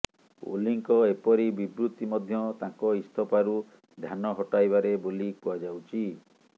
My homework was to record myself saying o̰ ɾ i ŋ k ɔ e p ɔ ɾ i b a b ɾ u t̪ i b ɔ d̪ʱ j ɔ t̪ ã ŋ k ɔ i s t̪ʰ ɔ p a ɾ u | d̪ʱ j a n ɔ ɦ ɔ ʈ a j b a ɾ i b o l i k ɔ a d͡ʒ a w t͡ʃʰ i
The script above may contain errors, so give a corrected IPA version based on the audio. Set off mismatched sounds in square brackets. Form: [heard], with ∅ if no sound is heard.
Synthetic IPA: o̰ [l] i ŋ k ɔ e p ɔ ɾ i b [i] b ɾ u t̪ i [m] ɔ d̪ʱ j ɔ t̪ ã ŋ k ɔ i s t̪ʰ ɔ p a ɾ u | d̪ʱ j a n ɔ ɦ ɔ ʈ a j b a ɾ [e] b o l i k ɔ a d͡ʒ a w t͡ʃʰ i

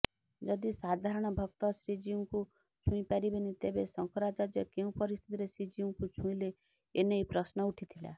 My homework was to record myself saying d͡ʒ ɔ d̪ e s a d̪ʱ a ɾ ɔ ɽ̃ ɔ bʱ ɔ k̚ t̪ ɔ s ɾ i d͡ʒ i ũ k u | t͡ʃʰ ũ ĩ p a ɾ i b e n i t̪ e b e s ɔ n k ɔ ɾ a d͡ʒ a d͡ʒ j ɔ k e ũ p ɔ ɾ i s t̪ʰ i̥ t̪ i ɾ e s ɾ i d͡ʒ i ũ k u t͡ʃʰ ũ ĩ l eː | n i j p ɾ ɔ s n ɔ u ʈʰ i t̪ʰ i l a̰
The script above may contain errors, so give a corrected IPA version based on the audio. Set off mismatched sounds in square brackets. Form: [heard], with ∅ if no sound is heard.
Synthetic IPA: d͡ʒ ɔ d̪ [i] s a d̪ʱ a ɾ ɔ ɽ̃ ɔ bʱ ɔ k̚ t̪ ɔ s ɾ i d͡ʒ i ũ k u | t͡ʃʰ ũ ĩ p a ɾ i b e n i t̪ e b e s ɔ [ŋ] k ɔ ɾ a d͡ʒ a d͡ʒ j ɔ k e ũ p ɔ ɾ i s t̪ʰ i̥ t̪ i ɾ e s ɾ i d͡ʒ i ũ k u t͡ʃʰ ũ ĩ l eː | n [e] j p ɾ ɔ s n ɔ u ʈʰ i t̪ʰ i l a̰

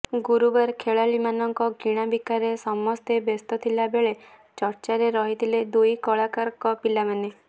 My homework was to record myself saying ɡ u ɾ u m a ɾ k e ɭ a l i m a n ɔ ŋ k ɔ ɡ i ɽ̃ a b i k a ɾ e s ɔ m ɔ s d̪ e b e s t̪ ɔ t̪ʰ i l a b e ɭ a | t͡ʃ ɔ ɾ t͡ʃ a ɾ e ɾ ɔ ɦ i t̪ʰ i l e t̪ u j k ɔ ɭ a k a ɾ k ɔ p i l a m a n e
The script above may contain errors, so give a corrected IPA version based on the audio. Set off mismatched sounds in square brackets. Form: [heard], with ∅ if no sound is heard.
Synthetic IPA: ɡ u ɾ u [b] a ɾ [kʰ] e ɭ a l i m a n ɔ ŋ k ɔ ɡ i ɽ̃ a b i k a ɾ e s ɔ m ɔ s [t̪] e b e s t̪ ɔ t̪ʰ i l a b e ɭ [e] | t͡ʃ ɔ ɾ t͡ʃ a ɾ e ɾ ɔ ɦ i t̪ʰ i l e [d̪] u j k ɔ ɭ a k a ɾ k ɔ p i l a m a n e

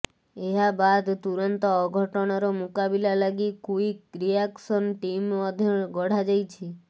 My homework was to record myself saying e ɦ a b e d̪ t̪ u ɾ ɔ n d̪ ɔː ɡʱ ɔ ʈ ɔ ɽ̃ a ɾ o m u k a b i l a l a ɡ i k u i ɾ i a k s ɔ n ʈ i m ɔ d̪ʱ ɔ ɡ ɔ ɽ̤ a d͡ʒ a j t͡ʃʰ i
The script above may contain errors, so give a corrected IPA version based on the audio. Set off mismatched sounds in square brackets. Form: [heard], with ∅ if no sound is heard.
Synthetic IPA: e ɦ a b [a] d̪ t̪ u ɾ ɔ n [t̪] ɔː ɡʱ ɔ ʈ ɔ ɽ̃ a ɾ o m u k a b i l a l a ɡ i k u i ɾ i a k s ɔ n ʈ i m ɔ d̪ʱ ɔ ɡ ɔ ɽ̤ a d͡ʒ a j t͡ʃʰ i

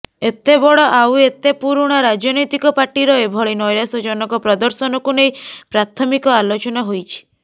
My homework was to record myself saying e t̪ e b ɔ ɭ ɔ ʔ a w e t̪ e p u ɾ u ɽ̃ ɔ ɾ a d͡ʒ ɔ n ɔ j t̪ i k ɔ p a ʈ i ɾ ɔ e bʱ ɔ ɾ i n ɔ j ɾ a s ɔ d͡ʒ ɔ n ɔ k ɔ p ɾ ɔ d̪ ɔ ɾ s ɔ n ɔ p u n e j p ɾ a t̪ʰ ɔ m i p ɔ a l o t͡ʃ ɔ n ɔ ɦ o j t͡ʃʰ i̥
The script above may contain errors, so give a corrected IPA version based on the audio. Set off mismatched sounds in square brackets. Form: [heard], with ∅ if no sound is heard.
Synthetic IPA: e t̪ e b ɔ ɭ ɔ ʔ a w e t̪ e p u ɾ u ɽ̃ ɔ ɾ a d͡ʒ ɔ n ɔ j t̪ i k ɔ p a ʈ i ɾ ɔ e bʱ ɔ [ɭ] i n ɔ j ɾ a s ɔ d͡ʒ ɔ n ɔ k ɔ p ɾ ɔ d̪ ɔ ɾ s ɔ n ɔ [k] u n e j p ɾ a t̪ʰ ɔ m i [k] ɔ a l o t͡ʃ ɔ n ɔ ɦ o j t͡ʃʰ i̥

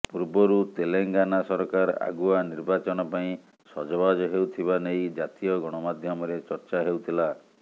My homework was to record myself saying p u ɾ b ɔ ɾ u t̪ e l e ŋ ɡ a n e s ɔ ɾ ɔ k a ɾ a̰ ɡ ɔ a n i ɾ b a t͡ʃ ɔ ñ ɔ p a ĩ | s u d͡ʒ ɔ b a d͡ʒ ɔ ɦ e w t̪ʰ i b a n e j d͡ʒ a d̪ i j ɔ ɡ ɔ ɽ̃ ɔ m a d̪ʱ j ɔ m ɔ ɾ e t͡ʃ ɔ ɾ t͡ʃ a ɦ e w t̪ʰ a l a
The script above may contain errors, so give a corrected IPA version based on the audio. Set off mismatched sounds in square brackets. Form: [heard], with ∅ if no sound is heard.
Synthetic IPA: p u ɾ b ɔ ɾ u t̪ e l e ŋ ɡ a n [a] s ɔ ɾ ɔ k a ɾ a̰ ɡ [u] a n i ɾ b a t͡ʃ ɔ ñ ɔ p a ĩ | s [ɔ] d͡ʒ ɔ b a d͡ʒ ɔ ɦ e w t̪ʰ i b a n e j d͡ʒ a [t̪] i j ɔ ɡ ɔ ɽ̃ ɔ m a d̪ʱ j ɔ m ɔ ɾ e t͡ʃ ɔ ɾ t͡ʃ a ɦ e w t̪ʰ [i] l a

